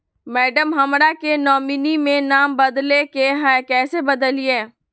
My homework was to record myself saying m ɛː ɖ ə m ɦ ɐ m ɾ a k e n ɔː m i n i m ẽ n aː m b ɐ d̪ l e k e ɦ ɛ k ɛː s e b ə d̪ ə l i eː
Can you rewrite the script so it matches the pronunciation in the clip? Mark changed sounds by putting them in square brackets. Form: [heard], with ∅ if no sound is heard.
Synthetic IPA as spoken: m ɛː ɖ ə m ɦ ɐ m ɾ a k e n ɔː m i n i m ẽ n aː m b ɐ d̪ l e k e ɦ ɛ k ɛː s e b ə d̪ ə l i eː